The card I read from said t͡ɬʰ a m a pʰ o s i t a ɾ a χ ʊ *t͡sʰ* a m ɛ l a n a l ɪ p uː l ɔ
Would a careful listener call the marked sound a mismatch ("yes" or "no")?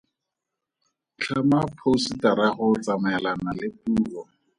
yes